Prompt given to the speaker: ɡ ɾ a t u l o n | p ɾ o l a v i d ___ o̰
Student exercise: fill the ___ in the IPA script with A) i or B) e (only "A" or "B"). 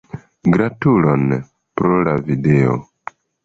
B